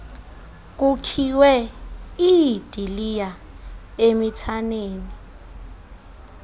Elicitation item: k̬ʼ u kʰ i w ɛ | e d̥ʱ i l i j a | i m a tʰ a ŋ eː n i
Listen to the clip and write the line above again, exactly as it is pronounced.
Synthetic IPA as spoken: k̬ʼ u kʰ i w ɛ | i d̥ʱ i l i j a | e m i tʰ a n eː n i